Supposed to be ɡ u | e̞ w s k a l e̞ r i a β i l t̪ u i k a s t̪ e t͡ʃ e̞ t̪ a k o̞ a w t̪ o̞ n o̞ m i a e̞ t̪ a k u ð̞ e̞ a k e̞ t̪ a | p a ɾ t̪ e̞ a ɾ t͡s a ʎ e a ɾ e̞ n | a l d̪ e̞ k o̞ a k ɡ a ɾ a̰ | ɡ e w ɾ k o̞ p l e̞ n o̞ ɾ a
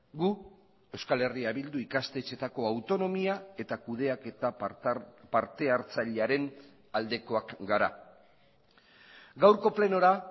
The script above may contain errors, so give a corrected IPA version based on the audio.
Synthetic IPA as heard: ɡ u | e̞ w s k a l e̞ r i a β i l d̪ u i k a s t̪ e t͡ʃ e̞ t̪ a k o̞ a w t̪ o̞ n o̞ m i a e̞ t̪ a k u ð̞ e̞ a k e̞ t̪ a | p a ɾ t̪ e̞ a ɾ t͡s a ʎ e a ɾ e̞ n | a l d̪ e̞ k o̞ a k ɡ a ɾ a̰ | ɡ a w ɾ k o̞ p l e̞ n o̞ ɾ a